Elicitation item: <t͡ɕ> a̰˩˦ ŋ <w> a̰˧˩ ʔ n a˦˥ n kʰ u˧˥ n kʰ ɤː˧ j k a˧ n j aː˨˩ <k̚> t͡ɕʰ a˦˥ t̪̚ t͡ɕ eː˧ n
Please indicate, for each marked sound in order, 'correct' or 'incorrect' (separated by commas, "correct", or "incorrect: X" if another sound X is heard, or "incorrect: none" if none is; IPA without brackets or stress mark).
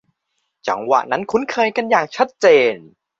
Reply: correct, correct, correct